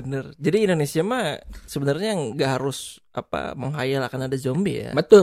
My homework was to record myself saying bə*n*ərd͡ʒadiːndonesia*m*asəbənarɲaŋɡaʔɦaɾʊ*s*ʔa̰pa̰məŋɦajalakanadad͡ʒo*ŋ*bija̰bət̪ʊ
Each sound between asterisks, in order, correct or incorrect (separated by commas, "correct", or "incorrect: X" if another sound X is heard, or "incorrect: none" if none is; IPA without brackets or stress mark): correct, correct, correct, incorrect: m